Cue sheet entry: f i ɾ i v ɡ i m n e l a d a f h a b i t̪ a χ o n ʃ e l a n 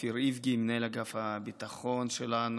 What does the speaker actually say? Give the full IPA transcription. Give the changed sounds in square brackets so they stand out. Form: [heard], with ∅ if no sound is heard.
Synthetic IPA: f i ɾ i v ɡ i m n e l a [ɡ] a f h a b i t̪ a χ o n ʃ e l a n